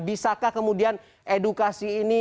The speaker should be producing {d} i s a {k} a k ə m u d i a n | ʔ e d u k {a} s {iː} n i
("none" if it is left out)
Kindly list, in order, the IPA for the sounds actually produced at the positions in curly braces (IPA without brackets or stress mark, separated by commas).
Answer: b, k, a, iː